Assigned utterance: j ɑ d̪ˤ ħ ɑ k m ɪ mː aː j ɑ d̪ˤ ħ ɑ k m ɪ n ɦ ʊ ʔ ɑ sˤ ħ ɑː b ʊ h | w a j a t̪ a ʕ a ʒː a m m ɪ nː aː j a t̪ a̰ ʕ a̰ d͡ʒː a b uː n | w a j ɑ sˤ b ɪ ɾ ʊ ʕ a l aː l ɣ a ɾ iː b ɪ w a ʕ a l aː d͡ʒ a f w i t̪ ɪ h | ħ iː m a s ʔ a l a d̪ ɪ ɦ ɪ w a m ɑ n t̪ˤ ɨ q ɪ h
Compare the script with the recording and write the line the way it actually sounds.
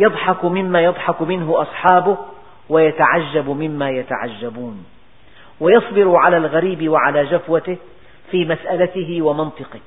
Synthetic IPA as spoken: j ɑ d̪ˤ ħ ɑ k m ɪ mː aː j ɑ d̪ˤ ħ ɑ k m ɪ n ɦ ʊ ʔ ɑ sˤ ħ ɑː b ʊ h | w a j a t̪ a ʕ a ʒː a b m ɪ mː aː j a t̪ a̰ ʕ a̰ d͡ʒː a b uː n | w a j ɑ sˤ b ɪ ɾ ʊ ʕ a l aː l ɣ a ɾ iː b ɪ w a ʕ a l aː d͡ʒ a f w a t̪ ɪ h | f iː m a s ʔ a l a t̪ ɪ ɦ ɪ w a m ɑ n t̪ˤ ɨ q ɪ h